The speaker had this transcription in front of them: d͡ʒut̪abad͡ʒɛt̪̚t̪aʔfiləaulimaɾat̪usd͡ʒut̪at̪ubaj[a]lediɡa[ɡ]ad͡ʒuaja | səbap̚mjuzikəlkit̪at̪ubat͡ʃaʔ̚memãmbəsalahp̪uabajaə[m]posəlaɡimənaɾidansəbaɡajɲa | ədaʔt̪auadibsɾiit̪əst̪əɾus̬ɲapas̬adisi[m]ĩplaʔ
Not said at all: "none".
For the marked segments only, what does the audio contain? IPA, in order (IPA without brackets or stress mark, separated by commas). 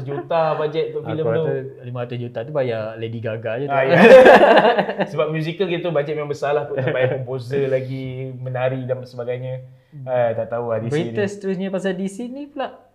a, ɡ, m, n